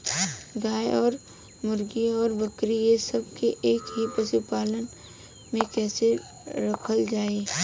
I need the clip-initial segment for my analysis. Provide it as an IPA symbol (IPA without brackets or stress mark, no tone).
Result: ɡ